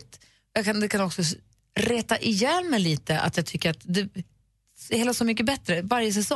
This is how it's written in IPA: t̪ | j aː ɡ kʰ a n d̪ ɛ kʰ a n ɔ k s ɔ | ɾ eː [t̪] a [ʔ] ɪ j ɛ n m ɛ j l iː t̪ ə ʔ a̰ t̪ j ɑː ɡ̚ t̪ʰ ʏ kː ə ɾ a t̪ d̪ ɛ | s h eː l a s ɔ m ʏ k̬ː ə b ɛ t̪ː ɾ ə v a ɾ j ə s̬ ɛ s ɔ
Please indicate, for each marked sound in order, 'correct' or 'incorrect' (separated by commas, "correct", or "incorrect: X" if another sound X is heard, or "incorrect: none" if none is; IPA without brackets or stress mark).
correct, correct